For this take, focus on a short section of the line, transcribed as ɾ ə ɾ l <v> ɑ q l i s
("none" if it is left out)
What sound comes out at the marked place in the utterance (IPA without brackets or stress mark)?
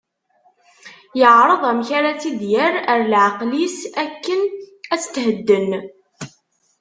ʕ